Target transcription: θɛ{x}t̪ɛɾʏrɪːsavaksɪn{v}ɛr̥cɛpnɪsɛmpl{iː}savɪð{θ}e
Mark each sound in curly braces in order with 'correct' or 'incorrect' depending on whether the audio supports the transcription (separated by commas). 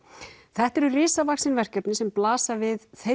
incorrect, correct, incorrect, correct